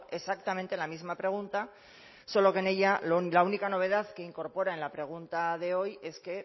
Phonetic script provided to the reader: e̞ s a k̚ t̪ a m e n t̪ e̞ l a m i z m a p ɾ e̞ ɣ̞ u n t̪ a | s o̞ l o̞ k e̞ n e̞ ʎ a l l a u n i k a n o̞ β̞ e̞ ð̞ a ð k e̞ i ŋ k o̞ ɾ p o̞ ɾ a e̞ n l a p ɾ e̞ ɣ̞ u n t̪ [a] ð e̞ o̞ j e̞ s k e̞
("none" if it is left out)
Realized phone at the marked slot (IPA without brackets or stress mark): a